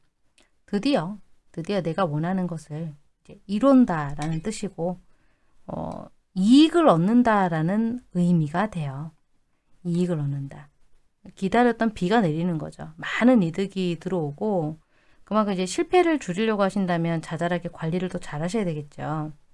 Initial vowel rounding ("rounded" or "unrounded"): unrounded